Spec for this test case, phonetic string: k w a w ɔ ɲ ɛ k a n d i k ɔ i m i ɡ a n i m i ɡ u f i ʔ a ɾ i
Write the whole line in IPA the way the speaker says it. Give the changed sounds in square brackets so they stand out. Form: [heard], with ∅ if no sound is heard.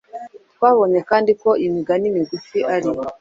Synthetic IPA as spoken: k w a [β] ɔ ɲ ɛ k a n d i k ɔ i m i ɡ a n i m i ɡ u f i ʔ a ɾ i